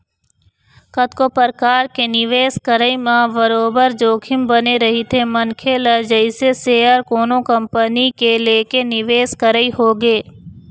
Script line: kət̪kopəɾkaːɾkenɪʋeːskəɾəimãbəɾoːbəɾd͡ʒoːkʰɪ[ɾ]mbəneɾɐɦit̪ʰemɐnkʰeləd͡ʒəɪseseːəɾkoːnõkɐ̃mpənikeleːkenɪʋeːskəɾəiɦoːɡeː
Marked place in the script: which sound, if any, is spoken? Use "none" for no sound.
none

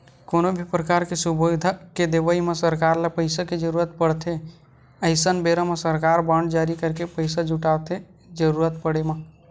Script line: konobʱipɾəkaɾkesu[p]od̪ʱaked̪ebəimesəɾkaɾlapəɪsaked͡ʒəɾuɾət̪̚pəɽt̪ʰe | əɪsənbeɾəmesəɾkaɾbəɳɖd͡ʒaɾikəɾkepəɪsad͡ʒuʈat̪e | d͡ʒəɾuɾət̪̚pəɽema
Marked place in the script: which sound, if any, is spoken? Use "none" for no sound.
b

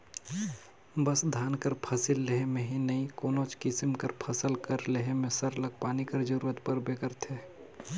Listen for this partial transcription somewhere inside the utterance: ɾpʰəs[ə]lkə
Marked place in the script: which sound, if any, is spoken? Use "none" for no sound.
ə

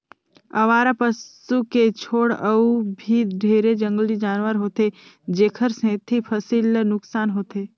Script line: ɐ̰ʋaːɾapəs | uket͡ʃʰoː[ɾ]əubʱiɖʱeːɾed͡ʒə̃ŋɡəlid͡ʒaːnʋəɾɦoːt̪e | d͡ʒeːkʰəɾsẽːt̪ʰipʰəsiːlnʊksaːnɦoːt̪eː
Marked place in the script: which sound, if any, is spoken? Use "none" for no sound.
ɽ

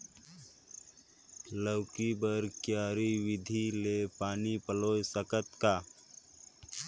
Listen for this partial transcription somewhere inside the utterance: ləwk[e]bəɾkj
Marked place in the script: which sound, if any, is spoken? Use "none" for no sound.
i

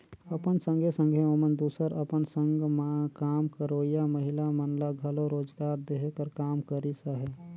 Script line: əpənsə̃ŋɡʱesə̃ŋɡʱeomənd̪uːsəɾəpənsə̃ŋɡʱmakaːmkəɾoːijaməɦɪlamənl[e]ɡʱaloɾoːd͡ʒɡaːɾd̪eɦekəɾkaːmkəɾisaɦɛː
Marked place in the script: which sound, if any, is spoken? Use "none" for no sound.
a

